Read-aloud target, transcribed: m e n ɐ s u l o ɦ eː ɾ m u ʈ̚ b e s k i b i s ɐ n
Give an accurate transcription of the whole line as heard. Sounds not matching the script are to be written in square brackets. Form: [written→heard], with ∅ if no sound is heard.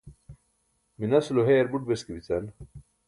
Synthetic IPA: m [e→i] n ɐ s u l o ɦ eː ɾ [m→b] u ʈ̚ b e s k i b i [s→t͡s] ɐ n